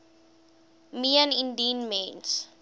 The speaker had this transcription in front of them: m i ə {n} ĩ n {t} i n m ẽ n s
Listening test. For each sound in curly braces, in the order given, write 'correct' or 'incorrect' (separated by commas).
correct, incorrect